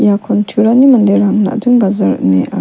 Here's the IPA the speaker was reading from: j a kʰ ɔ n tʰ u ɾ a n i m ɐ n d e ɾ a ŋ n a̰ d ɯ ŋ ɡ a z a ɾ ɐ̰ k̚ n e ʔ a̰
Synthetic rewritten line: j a kʰ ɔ n tʰ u ɾ a n i m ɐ n d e ɾ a ŋ n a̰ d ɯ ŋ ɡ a z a ɾ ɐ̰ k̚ n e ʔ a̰